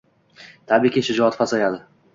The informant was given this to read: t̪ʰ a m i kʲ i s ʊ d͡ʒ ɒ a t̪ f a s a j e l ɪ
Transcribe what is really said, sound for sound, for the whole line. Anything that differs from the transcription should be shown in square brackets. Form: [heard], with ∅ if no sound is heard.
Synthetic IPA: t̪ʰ a [b] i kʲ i [ʃ] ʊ d͡ʒ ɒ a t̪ f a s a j [a] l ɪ

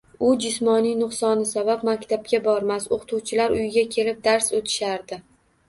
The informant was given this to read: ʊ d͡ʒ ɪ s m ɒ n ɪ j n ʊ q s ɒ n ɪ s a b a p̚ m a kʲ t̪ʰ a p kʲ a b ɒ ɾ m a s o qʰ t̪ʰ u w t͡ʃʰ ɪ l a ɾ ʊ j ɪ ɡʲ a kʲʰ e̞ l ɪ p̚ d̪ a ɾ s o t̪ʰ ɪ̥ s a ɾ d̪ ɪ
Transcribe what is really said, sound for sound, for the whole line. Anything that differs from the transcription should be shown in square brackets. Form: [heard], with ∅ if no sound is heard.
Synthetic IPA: ʊ d͡ʒ ɪ s m ɒ n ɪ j n ʊ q s ɒ n ɪ s a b a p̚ m a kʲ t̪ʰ a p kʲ a b ɒ ɾ m a s o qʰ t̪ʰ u w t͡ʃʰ ɪ l a ɾ ʊ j ɪ ɡʲ a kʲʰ e̞ l ɪ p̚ d̪ a ɾ s o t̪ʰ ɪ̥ [ʃ] a ɾ d̪ ɪ

